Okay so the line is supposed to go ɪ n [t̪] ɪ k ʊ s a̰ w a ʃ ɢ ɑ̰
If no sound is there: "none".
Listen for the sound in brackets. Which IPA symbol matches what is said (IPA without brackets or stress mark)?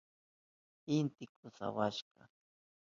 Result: t̪